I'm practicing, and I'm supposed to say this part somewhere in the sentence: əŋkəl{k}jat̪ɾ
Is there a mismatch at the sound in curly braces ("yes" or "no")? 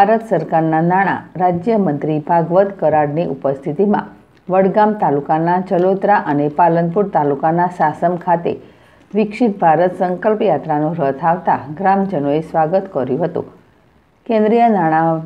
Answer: yes